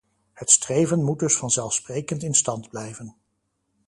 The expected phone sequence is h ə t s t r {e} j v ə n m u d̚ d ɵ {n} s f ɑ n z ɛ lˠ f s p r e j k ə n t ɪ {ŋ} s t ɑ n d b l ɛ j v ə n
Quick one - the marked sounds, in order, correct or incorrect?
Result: correct, incorrect: none, incorrect: n

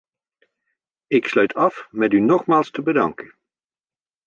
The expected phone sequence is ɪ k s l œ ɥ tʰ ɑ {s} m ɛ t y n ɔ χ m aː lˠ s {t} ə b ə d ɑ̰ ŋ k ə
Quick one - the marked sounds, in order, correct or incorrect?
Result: incorrect: f, correct

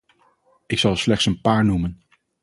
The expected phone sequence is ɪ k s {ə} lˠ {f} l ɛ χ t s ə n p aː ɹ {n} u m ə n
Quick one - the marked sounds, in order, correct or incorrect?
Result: incorrect: ɑ, incorrect: s, correct

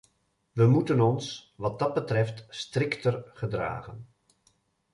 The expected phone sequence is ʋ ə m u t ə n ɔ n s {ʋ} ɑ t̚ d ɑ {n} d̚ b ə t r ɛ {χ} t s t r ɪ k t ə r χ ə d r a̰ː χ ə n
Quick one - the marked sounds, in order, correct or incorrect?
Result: correct, incorrect: none, incorrect: f

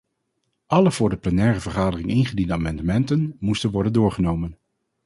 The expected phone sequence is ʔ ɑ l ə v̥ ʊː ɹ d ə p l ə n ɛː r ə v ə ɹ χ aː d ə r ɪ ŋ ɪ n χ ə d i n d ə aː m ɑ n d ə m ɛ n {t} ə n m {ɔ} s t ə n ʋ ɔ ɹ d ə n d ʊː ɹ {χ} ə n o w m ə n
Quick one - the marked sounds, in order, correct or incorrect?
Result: correct, incorrect: u, correct

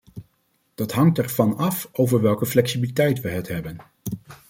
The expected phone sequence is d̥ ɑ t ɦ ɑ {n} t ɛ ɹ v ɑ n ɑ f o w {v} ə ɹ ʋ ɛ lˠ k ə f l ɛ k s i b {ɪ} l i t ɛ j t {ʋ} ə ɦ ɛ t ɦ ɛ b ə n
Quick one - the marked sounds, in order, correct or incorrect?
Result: incorrect: ŋ, correct, incorrect: i, correct

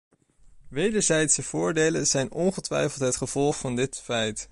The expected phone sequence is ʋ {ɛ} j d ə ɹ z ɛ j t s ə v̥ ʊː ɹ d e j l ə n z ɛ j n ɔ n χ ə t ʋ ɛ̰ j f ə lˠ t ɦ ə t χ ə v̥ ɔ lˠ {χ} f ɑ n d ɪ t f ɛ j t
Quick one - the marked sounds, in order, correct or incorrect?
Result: incorrect: e, correct

